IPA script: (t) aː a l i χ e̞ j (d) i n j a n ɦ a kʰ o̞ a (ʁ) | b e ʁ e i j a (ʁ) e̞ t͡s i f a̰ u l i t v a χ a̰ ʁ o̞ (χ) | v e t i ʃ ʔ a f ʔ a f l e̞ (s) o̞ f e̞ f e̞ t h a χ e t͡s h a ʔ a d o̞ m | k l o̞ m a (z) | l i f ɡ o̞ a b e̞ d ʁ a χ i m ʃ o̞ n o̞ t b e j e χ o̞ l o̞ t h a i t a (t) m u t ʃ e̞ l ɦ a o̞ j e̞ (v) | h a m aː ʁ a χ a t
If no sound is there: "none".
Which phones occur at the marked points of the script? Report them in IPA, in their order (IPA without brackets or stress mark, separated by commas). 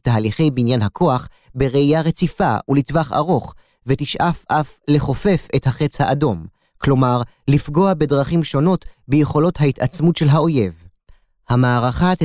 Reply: t, b, χ, ʁ, χ, χ, ʁ, t͡s, v